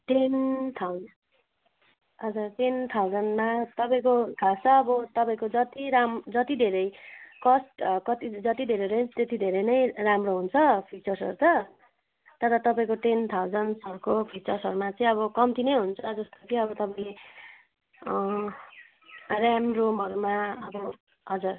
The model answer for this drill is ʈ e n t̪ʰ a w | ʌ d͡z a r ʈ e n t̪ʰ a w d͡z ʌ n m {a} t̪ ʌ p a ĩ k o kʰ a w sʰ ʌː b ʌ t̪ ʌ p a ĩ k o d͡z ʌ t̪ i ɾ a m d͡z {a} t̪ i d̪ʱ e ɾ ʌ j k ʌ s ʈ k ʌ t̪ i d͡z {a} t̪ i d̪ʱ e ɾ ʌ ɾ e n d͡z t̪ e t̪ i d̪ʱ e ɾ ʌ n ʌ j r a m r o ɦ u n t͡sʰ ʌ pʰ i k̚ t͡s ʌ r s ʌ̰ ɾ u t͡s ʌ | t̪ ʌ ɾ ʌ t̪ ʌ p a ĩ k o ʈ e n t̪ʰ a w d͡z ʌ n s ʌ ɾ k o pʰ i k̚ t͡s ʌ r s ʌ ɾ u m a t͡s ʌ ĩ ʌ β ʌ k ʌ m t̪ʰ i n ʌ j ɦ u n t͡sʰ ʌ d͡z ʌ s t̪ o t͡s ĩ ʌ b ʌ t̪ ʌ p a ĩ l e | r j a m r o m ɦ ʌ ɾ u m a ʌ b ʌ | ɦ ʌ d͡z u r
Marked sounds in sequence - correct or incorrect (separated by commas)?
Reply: correct, incorrect, incorrect